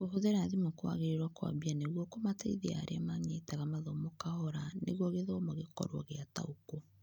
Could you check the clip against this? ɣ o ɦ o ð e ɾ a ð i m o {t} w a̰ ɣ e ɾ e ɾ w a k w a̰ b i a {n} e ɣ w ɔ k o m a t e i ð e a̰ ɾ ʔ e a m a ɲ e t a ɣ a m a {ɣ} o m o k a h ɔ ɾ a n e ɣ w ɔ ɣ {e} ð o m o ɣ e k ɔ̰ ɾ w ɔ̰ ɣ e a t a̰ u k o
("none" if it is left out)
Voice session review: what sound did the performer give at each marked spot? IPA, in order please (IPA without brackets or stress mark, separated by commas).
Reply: k, n, ð, e